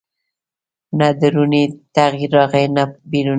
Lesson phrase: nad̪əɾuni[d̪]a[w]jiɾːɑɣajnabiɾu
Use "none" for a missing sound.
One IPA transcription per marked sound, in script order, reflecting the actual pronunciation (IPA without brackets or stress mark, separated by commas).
t̪, ɣ